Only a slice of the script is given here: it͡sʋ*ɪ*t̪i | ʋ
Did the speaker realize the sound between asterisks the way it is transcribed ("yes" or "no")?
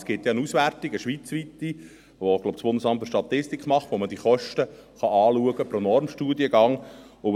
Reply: no